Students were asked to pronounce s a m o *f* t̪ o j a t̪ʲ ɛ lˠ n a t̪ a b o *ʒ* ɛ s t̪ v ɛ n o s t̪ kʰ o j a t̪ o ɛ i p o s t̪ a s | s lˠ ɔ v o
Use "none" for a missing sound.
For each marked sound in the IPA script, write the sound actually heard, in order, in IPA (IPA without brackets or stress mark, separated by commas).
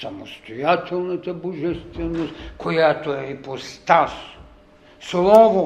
s, ʒ